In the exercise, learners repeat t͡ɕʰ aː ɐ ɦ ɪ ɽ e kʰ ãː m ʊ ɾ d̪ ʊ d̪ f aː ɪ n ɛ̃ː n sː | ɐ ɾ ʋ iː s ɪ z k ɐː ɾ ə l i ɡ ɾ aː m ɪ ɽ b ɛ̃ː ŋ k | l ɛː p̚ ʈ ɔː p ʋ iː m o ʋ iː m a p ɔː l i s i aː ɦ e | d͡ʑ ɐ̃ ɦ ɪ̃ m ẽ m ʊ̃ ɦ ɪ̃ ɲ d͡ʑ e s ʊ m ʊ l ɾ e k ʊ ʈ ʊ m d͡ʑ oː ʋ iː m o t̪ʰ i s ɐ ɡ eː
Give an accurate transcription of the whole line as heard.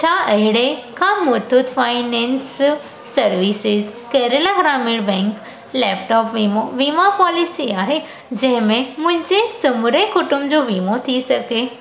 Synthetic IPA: t͡ɕʰ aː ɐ ɦ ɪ ɽ e kʰ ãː m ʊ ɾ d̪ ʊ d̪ f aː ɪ n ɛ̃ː n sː | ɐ ɾ ʋ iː s ɪ z k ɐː ɾ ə l a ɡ ɾ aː m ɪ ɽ b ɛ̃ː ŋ k | l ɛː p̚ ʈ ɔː p ʋ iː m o ʋ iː m a p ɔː l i s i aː ɦ e | d͡ʑ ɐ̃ ɦ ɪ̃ m ẽ m ʊ̃ ɦ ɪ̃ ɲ d͡ʑ e s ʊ m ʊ ɾ e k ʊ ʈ ʊ m d͡ʑ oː ʋ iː m o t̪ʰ i s ɐ ɡ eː